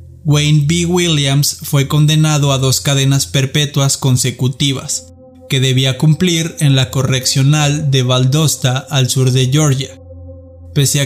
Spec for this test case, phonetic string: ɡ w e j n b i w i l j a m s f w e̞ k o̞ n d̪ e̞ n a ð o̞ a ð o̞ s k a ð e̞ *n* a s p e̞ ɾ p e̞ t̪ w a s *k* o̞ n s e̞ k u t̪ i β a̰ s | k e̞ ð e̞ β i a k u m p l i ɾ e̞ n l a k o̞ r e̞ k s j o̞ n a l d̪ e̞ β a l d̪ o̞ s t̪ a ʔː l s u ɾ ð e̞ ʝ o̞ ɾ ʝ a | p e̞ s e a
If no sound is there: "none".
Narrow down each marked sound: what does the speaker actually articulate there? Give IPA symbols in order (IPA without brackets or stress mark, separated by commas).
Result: n, k